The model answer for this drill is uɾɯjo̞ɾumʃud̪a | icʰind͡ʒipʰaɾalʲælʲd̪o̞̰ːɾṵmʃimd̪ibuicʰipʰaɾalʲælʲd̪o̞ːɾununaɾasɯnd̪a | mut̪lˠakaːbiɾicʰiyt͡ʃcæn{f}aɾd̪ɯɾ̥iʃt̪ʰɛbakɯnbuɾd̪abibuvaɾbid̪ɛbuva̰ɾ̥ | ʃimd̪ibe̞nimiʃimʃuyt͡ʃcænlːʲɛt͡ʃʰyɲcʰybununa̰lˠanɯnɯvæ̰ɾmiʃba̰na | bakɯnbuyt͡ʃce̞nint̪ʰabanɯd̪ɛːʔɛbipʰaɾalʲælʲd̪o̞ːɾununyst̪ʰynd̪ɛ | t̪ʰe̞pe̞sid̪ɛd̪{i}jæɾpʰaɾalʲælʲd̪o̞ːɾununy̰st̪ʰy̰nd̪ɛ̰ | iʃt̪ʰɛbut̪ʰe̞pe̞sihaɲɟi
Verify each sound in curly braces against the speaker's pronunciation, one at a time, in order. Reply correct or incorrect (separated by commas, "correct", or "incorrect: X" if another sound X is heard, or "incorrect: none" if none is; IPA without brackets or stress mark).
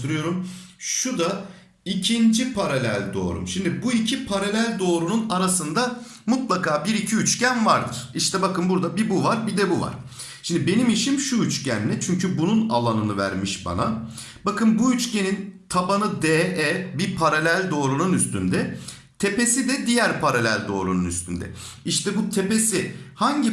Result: incorrect: v, correct